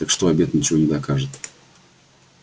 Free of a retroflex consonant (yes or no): no